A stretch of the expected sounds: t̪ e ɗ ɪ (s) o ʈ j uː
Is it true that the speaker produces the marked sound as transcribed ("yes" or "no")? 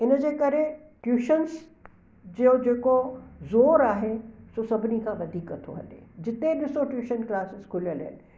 yes